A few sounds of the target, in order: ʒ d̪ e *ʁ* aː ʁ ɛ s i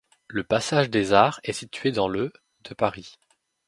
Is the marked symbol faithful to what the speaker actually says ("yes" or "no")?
no